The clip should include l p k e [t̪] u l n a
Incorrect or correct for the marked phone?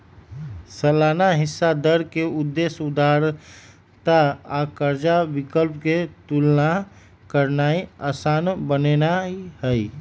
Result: correct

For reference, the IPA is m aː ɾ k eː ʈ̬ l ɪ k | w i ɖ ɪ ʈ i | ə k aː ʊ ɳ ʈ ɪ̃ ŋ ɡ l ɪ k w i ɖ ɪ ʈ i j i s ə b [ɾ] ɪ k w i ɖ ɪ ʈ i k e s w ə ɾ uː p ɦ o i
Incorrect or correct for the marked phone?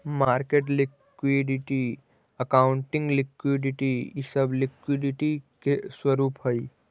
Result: incorrect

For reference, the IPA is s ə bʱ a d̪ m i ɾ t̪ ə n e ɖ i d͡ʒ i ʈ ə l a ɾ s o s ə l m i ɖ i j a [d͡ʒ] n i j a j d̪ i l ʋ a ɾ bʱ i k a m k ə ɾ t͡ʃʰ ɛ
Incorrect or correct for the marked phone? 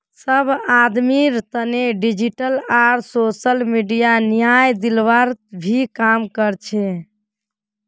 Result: incorrect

